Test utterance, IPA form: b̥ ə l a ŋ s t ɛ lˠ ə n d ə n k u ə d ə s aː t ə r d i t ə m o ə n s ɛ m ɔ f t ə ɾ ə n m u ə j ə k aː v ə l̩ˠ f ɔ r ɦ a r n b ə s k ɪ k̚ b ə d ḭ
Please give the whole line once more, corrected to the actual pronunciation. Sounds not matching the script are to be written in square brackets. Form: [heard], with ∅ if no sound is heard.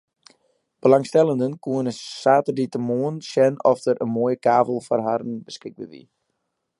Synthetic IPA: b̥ ə l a ŋ s t ɛ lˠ ə n d ə n k u ə [n] ə s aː t ə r d i t ə m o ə n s ɛ [n] ɔ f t ə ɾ ə n m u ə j ə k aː v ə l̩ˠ f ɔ r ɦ a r n b ə s k ɪ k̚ b ə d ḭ